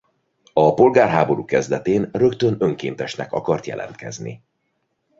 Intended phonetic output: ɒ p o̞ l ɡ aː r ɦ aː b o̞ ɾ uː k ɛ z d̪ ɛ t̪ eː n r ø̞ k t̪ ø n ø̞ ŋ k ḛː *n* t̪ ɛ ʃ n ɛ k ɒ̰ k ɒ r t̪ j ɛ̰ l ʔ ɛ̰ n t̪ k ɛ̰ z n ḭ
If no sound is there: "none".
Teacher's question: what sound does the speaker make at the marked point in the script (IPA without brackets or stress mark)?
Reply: n